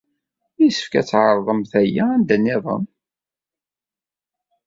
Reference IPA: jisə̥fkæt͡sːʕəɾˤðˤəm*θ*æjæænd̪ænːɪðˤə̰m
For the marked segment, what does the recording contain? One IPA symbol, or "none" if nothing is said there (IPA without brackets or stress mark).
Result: θ